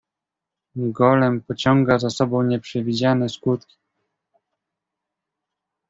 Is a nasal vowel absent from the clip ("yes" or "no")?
no